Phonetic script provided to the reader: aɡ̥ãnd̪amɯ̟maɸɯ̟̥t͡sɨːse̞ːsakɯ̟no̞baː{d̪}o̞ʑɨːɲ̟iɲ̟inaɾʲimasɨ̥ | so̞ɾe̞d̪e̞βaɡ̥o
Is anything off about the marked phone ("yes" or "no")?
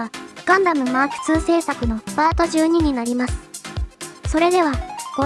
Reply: yes